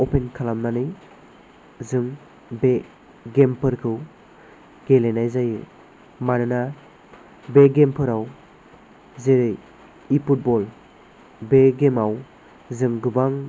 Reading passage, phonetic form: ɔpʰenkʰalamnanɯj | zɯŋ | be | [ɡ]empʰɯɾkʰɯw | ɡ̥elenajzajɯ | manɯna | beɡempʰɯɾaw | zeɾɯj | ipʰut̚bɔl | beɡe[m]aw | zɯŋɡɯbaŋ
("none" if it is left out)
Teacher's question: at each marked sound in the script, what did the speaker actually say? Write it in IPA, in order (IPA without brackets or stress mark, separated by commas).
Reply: ɡ, m